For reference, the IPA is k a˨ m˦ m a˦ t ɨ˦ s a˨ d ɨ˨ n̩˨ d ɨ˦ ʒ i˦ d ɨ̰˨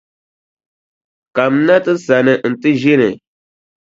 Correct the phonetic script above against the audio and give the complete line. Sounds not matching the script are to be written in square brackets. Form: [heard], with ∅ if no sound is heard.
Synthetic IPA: k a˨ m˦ [n] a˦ t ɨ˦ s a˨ [n] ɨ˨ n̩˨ [t] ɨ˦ ʒ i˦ [n] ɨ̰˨